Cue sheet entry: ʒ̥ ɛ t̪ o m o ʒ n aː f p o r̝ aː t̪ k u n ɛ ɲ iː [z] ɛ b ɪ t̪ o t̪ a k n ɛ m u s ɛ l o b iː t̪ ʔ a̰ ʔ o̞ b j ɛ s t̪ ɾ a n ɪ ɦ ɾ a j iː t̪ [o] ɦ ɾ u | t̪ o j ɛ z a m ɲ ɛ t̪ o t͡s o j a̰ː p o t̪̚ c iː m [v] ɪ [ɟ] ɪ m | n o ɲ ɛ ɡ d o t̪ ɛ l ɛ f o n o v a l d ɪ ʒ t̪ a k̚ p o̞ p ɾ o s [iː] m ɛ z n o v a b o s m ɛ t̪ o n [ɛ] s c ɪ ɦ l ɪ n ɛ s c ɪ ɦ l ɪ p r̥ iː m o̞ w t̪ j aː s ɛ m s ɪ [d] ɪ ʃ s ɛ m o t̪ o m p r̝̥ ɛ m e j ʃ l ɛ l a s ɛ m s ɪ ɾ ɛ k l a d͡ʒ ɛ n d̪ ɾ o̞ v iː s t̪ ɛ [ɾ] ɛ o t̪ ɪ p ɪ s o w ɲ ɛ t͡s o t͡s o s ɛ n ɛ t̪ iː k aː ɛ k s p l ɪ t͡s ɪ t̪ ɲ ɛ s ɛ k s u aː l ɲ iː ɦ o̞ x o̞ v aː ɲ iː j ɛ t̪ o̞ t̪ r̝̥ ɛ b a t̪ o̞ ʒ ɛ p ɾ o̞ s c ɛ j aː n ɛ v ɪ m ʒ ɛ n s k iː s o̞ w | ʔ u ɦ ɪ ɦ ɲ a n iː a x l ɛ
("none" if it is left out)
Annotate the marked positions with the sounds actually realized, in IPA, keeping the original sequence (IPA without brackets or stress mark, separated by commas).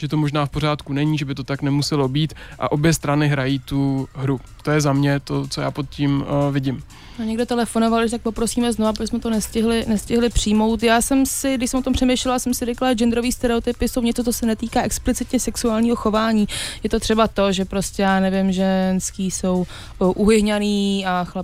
ʒ, u, v, ɟ, iː, ɛ, d, ɾ